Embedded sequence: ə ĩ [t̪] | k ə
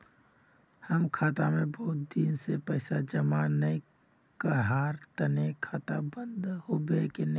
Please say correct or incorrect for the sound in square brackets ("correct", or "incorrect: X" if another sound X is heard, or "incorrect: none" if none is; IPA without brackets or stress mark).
incorrect: none